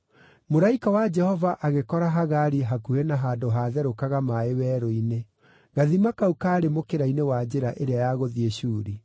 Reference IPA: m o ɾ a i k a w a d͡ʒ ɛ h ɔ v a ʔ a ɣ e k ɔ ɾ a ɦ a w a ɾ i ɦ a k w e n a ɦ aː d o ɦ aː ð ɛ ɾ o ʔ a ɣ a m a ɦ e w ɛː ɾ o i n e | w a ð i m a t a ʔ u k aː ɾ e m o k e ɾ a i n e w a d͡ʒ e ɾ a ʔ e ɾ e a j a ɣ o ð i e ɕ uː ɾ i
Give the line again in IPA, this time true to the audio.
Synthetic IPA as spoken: m o ɾ a i k a w a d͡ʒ ɛ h ɔ v a ʔ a ɣ e k ɔ ɾ a ɦ a ɣ a ɾ i ɦ a k u e n a ɦ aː d o ɦ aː ð ɛ ɾ o k a ɣ a m a e w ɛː ɾ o i n e | ɣ a ð i m a k a u k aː ɾ e m o k e ɾ a i n e w a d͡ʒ e ɾ a ʔ e ɾ e a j a ɣ o ð i e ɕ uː ɾ i